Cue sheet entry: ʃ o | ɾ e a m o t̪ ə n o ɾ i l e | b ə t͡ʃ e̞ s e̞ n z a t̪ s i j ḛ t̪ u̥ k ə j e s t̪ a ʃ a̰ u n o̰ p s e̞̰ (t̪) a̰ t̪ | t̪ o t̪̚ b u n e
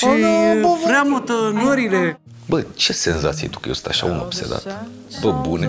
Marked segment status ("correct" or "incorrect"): incorrect